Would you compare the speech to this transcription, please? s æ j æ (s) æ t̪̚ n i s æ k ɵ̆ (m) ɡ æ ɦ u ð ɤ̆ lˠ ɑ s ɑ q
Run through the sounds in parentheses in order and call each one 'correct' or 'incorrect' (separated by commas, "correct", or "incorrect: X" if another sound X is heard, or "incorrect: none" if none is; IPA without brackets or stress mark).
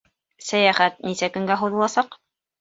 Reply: incorrect: χ, incorrect: ŋ